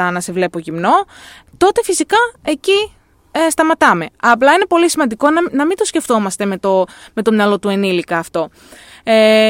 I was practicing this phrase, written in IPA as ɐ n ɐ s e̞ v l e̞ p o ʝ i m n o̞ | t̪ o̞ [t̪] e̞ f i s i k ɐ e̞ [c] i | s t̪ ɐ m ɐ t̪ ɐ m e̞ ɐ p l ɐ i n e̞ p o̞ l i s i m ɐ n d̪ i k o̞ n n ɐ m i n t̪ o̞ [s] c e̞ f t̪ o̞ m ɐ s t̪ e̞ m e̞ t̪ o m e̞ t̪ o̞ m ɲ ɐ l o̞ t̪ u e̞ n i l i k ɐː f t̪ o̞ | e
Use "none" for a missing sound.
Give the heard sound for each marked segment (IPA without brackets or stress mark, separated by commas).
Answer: t̪, c, s